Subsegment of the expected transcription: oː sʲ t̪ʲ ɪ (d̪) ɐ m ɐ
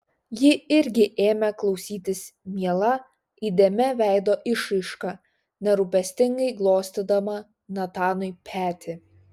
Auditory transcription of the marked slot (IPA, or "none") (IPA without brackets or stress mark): d̪